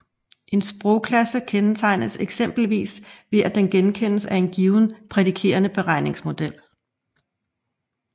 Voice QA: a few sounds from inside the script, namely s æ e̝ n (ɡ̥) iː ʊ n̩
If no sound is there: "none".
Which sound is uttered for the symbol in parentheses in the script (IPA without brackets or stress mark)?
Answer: ɡ̥